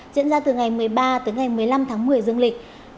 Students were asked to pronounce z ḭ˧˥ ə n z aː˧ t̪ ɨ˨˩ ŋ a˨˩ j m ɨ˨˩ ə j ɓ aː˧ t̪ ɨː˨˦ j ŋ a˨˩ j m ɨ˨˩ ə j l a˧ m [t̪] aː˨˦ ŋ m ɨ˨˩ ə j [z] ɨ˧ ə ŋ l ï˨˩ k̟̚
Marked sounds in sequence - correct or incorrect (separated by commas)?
incorrect, correct